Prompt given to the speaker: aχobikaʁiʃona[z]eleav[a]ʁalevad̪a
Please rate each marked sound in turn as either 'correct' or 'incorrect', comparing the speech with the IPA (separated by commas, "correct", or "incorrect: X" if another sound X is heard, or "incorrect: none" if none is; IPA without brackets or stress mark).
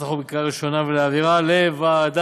incorrect: v, incorrect: i